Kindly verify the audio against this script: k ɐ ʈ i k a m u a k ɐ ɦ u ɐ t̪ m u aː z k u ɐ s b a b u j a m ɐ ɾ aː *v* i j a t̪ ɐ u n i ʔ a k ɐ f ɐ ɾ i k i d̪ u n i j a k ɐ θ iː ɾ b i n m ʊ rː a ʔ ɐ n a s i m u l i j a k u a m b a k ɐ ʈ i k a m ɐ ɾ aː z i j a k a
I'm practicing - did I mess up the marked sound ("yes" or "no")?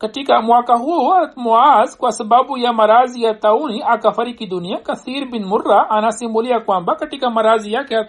yes